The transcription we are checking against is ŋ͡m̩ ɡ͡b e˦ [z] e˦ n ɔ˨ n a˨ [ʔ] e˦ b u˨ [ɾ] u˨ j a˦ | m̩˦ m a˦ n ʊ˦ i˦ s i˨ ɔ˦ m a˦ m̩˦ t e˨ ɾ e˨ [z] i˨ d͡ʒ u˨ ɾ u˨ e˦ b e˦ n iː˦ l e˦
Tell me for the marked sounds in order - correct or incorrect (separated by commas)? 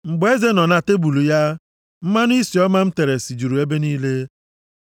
correct, incorrect, incorrect, incorrect